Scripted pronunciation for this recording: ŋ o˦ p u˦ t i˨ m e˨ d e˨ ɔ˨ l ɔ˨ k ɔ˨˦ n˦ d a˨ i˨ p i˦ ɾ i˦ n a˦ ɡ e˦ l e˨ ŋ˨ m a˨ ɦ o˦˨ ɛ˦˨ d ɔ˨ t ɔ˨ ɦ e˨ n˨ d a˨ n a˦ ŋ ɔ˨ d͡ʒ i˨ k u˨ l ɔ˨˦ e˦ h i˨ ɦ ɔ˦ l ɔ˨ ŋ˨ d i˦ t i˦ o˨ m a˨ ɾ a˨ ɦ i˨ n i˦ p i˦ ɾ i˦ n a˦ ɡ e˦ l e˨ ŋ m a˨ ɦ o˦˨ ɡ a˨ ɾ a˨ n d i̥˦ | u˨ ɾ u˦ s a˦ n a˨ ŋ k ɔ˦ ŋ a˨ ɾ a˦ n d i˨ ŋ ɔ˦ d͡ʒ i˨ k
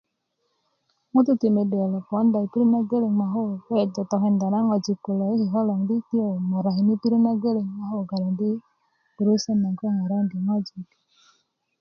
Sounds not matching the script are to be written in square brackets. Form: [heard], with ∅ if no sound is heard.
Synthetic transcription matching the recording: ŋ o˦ [t] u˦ t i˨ m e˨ d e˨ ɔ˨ l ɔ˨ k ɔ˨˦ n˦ d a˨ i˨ p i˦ ɾ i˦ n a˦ ɡ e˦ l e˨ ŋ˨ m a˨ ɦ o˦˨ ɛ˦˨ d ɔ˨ t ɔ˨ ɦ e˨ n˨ d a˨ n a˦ ŋ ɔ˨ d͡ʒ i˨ k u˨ l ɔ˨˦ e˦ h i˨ ɦ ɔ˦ l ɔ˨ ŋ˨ d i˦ t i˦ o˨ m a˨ ɾ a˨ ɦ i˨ n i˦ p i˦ ɾ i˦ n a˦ ɡ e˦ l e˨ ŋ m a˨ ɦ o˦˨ ɡ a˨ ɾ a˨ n d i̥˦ | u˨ ɾ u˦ s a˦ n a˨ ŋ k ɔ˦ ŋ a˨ ɾ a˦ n d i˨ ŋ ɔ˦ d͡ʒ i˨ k